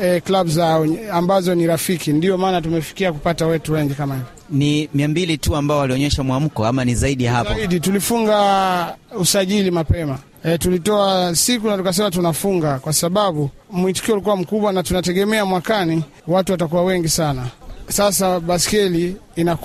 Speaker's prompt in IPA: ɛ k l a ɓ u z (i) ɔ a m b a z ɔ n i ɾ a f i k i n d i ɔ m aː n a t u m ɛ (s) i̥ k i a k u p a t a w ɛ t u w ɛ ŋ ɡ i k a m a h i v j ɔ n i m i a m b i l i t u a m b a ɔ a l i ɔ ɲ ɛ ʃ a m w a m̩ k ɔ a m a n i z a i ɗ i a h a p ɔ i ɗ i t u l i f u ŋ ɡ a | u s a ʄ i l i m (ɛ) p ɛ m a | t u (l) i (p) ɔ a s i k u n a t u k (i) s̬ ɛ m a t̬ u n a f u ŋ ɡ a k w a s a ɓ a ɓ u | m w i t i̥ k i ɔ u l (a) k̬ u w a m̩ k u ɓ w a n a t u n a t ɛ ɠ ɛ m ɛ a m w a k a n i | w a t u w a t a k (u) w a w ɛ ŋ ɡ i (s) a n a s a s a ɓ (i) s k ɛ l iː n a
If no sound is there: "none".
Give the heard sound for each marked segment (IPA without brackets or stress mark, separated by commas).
a, f, a, l, t, a, i, u, s, a